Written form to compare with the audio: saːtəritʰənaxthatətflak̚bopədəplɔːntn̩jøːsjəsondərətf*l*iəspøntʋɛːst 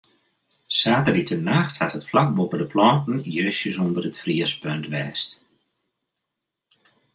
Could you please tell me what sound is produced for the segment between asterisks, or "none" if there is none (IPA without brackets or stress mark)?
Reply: r